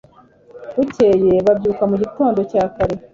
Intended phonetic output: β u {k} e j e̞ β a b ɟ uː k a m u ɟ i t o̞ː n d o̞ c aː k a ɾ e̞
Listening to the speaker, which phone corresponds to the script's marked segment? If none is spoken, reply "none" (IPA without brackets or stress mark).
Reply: c